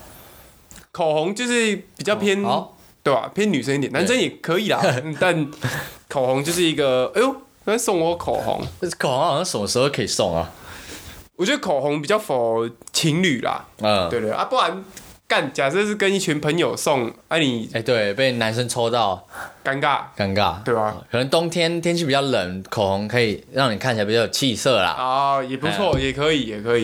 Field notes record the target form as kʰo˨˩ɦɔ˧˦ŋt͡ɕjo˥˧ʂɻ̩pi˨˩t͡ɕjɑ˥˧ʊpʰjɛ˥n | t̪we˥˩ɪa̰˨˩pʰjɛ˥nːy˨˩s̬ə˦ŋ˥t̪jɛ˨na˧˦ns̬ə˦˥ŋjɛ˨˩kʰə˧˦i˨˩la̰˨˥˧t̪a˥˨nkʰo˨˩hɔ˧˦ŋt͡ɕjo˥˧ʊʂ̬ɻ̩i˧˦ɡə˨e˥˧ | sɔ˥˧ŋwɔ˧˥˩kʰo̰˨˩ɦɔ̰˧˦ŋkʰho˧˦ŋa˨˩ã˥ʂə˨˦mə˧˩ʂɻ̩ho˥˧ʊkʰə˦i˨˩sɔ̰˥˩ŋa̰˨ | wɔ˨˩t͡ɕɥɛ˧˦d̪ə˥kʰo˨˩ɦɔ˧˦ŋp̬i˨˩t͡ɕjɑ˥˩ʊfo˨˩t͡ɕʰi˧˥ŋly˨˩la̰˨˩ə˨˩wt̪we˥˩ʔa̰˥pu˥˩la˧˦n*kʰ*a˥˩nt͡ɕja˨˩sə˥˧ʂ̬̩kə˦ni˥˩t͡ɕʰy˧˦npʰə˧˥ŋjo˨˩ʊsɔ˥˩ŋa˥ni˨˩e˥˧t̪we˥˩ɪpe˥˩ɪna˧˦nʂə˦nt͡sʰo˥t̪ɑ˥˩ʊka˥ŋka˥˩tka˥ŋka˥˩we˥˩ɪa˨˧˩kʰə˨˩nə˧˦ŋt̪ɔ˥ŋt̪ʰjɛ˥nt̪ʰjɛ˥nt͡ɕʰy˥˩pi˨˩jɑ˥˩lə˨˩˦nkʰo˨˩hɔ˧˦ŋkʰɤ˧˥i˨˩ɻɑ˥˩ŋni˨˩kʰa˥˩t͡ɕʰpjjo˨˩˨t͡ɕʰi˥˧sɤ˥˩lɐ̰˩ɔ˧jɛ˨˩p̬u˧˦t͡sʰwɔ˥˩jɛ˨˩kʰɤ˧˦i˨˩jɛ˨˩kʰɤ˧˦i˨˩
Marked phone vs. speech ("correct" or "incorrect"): incorrect